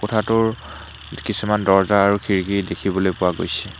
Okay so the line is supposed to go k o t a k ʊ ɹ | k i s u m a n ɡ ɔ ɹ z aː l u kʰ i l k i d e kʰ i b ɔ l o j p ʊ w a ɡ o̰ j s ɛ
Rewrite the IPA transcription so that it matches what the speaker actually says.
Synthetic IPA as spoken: k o tʰ a t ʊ ɹ | k i s u m a n d ɔ ɹ z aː ɹ u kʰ i ɹ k i d e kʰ i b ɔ l o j p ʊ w a ɡ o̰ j s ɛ